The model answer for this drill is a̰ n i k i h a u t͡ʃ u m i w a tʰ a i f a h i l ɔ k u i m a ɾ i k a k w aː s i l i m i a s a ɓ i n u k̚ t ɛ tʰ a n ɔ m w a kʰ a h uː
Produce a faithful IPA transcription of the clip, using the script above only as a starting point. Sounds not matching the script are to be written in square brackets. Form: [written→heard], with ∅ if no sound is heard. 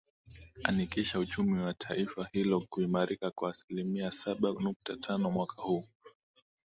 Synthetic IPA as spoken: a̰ n i k i [h→ʃ] a u t͡ʃ u m i w a tʰ a i f a h i l ɔ k u i m a ɾ i k a k w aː s i l i m i a s a ɓ [i→a] n u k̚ t [ɛ→a] tʰ a n ɔ m w a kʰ a h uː